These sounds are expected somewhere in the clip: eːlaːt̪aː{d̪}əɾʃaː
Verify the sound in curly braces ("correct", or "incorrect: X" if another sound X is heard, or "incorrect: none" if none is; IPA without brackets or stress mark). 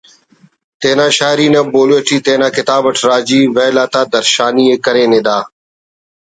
correct